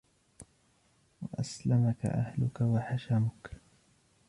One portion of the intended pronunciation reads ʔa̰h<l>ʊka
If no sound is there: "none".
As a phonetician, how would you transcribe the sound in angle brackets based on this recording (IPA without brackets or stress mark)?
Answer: l